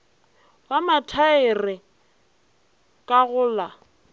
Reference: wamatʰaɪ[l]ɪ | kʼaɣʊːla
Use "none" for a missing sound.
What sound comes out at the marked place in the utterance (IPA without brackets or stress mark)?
r